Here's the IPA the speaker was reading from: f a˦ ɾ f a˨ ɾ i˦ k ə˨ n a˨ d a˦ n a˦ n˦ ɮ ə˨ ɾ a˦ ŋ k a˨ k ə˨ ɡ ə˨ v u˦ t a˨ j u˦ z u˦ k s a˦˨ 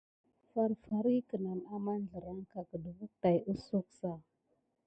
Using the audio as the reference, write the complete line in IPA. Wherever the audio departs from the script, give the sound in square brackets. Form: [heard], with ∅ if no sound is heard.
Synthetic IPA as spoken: f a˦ ɾ f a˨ ɾ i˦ k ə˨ n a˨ [n] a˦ [m] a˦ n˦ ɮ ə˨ ɾ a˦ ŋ k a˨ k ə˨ [d] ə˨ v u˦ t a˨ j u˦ [s] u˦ k s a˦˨